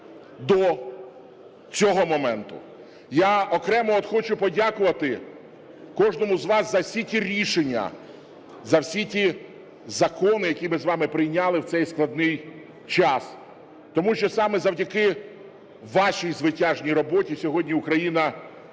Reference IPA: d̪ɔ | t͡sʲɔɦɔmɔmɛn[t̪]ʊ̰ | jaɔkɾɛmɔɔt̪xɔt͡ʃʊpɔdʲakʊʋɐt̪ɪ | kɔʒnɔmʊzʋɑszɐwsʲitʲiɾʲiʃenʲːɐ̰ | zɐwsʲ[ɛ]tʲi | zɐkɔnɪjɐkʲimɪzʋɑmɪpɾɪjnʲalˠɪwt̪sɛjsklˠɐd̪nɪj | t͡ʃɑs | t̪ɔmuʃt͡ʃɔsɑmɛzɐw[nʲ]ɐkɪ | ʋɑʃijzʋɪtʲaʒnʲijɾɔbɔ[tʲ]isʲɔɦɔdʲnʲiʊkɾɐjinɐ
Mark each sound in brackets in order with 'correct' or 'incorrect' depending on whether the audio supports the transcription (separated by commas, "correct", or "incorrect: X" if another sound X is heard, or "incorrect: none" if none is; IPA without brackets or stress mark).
correct, incorrect: i, incorrect: dʲ, correct